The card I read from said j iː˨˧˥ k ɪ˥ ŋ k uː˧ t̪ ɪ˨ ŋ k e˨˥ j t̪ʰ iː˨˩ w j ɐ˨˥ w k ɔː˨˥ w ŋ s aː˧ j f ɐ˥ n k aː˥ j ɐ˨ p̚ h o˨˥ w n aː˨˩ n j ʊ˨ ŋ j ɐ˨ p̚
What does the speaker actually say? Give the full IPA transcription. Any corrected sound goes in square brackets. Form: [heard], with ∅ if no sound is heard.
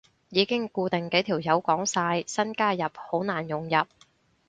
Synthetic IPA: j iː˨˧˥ k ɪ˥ ŋ k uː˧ t̪ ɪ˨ ŋ k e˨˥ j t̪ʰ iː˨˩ w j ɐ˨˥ w k ɔː˨˥ [∅] ŋ s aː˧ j [s] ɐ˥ n k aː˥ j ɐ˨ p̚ h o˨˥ w n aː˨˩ n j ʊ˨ ŋ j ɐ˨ p̚